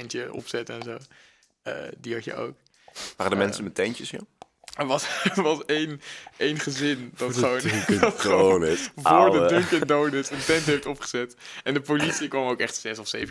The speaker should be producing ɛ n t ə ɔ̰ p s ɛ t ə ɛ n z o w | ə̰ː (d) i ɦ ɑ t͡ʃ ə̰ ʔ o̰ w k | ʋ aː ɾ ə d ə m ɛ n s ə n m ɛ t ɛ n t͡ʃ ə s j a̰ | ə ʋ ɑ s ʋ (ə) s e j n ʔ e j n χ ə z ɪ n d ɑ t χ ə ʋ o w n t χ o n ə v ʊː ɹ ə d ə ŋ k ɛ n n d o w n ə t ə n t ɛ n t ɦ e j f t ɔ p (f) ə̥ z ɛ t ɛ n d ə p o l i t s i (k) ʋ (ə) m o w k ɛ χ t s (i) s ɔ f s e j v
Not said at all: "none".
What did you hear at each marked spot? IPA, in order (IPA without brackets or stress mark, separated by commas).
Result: d, ɑ, χ, k, ɑ, ɛ